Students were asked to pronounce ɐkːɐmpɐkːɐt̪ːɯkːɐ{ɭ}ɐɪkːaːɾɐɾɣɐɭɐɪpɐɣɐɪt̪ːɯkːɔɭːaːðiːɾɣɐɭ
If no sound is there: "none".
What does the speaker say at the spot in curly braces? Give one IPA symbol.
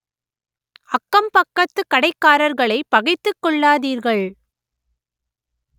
ɽ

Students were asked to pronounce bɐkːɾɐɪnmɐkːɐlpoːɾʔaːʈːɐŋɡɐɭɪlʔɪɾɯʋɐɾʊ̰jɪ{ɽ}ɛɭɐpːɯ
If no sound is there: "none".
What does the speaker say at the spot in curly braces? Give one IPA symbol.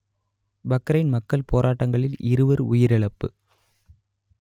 ɾ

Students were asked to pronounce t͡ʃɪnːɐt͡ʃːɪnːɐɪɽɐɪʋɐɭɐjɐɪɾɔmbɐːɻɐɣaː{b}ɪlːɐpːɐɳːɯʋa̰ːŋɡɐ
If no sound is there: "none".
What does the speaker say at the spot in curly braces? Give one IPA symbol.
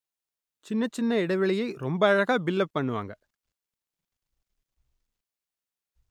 b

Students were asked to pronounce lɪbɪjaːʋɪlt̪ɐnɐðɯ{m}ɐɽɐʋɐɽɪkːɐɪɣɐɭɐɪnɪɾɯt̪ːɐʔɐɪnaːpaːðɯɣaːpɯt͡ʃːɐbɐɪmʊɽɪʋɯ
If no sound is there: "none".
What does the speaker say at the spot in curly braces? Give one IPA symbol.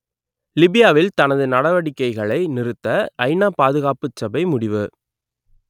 n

